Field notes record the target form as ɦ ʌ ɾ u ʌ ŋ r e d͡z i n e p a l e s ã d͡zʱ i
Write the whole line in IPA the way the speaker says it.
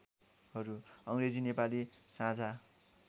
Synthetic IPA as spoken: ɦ ʌ ɾ u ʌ ŋ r e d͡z i n e p a l i s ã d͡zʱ a